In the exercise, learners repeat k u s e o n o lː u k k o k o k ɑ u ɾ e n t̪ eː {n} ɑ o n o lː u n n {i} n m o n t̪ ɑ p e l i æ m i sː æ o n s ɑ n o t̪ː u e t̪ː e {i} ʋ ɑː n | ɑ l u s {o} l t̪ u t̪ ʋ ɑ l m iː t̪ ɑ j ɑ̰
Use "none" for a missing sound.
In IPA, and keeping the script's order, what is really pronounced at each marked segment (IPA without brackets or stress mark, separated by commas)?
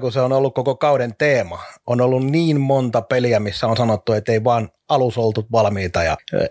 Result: m, iː, i, o